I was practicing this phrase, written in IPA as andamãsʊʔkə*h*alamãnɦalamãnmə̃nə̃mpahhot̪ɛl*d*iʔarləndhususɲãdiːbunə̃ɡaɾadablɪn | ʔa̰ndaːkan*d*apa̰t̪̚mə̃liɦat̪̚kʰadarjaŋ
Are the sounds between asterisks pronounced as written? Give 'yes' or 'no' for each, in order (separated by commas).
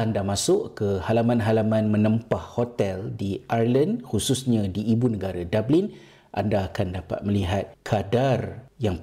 yes, yes, yes